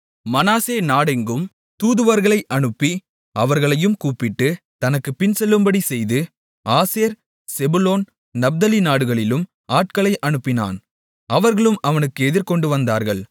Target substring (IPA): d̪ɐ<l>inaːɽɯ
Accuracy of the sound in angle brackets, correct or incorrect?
correct